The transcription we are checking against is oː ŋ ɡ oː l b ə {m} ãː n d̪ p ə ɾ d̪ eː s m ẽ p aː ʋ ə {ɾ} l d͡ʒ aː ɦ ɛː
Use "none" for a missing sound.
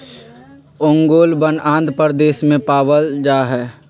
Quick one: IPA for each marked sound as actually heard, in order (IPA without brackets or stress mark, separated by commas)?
n, none